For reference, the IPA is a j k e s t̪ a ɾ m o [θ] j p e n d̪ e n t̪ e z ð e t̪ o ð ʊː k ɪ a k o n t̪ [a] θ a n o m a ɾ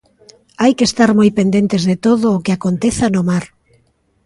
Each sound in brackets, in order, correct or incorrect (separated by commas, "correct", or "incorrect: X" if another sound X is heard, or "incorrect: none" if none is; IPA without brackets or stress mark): incorrect: none, incorrect: e